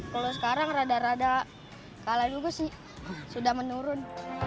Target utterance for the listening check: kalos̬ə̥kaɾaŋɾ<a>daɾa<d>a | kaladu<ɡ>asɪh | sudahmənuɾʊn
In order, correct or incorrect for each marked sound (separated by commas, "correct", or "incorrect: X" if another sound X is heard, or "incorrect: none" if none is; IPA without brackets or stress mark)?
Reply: correct, correct, correct